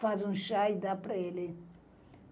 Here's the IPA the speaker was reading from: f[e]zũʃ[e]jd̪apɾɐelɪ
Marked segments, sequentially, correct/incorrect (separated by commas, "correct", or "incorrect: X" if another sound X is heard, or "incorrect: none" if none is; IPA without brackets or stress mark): incorrect: a, incorrect: a